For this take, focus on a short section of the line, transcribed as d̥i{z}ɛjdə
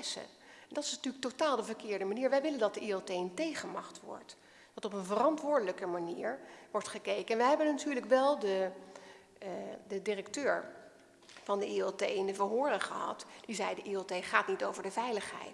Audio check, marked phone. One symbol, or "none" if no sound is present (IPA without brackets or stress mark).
z